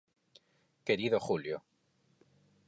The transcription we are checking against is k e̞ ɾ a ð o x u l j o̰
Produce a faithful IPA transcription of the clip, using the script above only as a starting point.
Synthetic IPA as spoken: k e̞ ɾ i ð o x u l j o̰

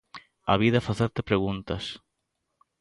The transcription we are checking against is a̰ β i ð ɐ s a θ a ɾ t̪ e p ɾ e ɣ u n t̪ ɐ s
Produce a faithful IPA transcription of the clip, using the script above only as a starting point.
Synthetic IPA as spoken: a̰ β i ð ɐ f a θ e ɾ t̪ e p ɾ e ɣ u n t̪ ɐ s

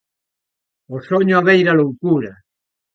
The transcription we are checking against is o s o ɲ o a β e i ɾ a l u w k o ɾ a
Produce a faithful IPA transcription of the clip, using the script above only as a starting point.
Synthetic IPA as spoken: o s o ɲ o a β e j ɾ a l o w k u ɾ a

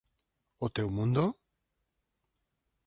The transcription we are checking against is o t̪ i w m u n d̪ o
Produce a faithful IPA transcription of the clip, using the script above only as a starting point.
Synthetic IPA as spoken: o t̪ e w m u n d̪ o

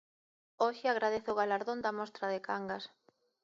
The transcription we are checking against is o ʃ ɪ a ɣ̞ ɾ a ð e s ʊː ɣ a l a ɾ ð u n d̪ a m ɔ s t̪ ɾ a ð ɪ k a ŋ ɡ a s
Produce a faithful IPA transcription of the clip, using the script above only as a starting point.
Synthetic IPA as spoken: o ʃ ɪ a ɣ̞ ɾ a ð e θ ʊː ɣ a l a ɾ ð o n d̪ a m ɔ s t̪ ɾ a ð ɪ k a ŋ ɡ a s

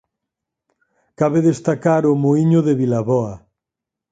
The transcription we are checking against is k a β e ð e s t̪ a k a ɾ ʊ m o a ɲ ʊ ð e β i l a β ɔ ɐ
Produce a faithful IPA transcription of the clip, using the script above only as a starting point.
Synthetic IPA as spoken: k a β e ð e s t̪ a k a ɾ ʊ m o i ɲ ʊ ð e β i l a β ɔ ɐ

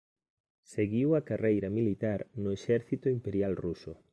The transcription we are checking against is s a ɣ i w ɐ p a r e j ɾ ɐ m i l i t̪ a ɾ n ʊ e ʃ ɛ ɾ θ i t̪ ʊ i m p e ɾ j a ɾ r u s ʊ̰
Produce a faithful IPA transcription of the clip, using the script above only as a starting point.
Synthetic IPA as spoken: s e ɣ i w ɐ k a r e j ɾ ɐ m i l i t̪ a ɾ n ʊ e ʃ ɛ ɾ θ i t̪ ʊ i m p e ɾ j a l r u s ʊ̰

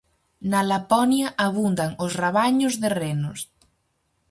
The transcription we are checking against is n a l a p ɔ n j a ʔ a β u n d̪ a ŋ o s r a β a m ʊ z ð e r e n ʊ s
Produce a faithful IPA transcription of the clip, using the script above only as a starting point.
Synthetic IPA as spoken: n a l a p ɔ n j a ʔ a β u n d̪ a ŋ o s r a β a ɲ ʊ z ð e r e n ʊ s

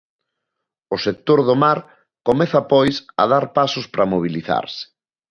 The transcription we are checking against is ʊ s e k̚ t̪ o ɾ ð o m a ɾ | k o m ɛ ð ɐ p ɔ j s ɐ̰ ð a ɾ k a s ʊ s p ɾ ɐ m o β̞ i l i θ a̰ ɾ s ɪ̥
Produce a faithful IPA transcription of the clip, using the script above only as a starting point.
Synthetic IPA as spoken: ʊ s e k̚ t̪ o ɾ ð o m a ɾ | k o m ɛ θ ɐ p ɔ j s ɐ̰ ð a ɾ p a s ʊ s p ɾ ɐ m o β̞ i l i θ a̰ ɾ s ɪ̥

